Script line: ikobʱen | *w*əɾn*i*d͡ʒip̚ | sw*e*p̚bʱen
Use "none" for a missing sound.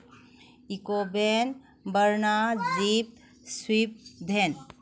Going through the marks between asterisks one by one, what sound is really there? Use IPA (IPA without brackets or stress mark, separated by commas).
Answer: b, a, i